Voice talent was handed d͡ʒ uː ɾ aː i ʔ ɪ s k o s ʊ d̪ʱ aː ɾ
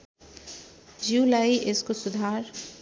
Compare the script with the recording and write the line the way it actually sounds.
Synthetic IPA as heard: d͡ʒ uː l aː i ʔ ɪ s k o s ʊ d̪ʱ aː ɾ